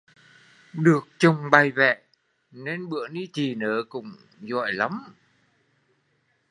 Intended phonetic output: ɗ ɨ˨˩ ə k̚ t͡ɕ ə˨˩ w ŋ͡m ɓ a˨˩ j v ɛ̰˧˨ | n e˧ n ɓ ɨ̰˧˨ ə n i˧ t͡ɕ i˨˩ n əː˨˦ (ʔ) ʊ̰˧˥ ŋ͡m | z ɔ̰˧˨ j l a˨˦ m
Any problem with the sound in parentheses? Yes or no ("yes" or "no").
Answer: yes